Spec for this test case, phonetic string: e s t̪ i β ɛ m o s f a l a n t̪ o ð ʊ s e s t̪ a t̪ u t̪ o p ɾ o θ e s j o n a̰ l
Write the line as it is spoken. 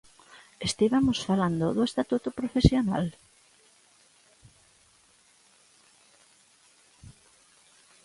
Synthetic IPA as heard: e s t̪ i β a m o s f a l a n d̪ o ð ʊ e s t̪ a t̪ u t̪ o p ɾ o f e s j o n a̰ l